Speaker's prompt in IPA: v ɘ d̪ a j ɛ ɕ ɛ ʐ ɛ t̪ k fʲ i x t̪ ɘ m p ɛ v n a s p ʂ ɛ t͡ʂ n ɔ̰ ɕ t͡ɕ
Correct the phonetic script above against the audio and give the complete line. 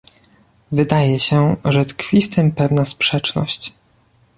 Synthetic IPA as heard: v ɘ d̪ a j ɛ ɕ ɛ ʐ ɛ t̪ k fʲ i f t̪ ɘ m p ɛ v n a s p ʂ ɛ t͡ʂ n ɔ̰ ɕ t͡ɕ